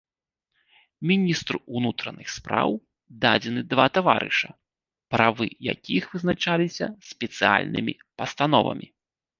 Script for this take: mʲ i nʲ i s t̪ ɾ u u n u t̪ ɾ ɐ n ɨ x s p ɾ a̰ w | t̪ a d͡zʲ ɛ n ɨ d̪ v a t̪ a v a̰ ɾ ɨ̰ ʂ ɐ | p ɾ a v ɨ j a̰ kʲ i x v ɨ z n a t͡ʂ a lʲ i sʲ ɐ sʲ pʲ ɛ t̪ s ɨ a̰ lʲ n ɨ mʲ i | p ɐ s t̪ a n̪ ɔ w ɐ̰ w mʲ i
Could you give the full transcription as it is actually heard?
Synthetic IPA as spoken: mʲ i nʲ i s t̪ ɾ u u n u t̪ ɾ ɐ n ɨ x s p ɾ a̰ w | d̪ a d͡zʲ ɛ n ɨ d̪ v a t̪ a v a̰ ɾ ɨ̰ ʂ ɐ | p ɾ a v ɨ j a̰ kʲ i x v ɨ z n a t͡ʂ a lʲ i sʲ ɐ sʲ pʲ ɛ t̪ s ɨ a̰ lʲ n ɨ mʲ i | p ɐ s t̪ a n̪ ɔ v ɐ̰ mʲ i